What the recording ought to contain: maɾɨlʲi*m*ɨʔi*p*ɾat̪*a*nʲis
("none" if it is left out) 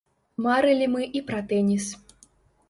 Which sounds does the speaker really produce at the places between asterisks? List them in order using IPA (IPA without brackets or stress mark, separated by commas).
m, p, ɛ